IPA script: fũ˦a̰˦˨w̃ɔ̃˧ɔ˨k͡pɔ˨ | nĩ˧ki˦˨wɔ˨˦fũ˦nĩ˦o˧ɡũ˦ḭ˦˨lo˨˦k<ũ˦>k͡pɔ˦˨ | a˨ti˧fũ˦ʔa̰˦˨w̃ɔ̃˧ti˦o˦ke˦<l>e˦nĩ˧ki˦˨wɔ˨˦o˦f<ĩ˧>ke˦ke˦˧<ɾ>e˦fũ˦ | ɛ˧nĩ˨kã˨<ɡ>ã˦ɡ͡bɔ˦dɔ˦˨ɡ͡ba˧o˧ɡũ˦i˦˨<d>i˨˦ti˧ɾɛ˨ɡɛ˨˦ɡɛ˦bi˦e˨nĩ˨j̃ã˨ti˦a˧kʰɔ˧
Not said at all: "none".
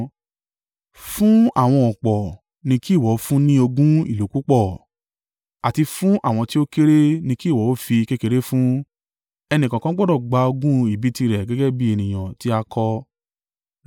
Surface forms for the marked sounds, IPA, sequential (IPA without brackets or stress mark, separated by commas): u˦, ɾ, i˧, ɾ, k, b